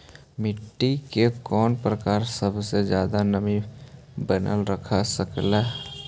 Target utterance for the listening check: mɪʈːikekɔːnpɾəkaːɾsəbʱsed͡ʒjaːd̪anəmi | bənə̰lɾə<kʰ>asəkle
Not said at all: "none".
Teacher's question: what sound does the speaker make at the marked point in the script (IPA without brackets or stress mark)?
kʰ